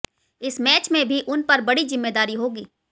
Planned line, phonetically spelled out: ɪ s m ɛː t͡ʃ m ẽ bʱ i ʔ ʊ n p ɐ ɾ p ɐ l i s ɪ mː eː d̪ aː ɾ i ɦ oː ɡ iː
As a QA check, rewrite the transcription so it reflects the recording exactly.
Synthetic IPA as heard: ɪ s m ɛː t͡ʃ m ẽ bʱ i ʔ ʊ n p ɐ ɾ b ɐ ɽ i z ɪ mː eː d̪ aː ɾ i ɦ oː ɡ iː